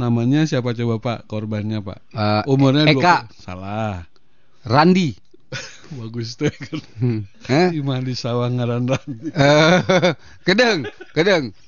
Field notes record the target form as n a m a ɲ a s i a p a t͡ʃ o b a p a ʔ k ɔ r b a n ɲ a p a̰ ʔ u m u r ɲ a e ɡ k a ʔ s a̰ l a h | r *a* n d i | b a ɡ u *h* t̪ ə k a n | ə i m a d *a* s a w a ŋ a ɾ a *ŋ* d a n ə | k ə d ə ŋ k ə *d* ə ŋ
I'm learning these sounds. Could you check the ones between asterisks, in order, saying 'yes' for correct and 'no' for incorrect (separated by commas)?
yes, no, no, no, yes